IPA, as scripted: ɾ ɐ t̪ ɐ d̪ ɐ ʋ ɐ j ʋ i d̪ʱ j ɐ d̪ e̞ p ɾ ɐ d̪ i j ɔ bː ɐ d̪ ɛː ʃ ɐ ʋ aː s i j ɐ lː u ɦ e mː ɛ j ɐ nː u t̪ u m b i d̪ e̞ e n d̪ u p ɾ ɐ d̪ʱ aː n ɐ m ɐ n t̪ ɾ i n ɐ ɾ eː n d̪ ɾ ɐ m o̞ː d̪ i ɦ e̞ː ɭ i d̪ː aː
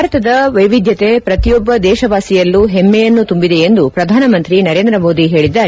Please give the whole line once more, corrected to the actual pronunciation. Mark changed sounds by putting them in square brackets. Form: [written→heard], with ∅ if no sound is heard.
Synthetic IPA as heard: ɾ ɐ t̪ ɐ d̪ ɐ ʋ ɐ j ʋ i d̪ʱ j ɐ [d̪→t̪] e̞ p ɾ ɐ [d̪→t̪] i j ɔ bː ɐ d̪ ɛː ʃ ɐ ʋ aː s i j ɐ lː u ɦ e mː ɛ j ɐ nː u t̪ u m b i d̪ e̞ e n d̪ u p ɾ ɐ d̪ʱ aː n ɐ m ɐ n t̪ ɾ i n ɐ ɾ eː n d̪ ɾ ɐ m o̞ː d̪ i ɦ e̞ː ɭ i d̪ː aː